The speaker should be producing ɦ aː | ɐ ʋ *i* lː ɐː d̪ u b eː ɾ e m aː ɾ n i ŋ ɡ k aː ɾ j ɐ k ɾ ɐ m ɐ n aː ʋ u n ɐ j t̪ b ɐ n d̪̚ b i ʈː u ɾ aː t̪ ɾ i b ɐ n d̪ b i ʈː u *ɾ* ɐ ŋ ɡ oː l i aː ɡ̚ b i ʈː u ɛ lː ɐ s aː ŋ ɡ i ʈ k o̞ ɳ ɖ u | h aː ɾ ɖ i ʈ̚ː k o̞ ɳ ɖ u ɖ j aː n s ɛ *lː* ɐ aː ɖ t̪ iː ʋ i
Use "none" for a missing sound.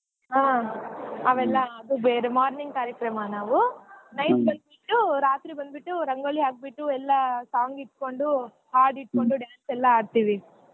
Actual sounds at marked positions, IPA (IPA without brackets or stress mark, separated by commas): ɛ, ɾ, lː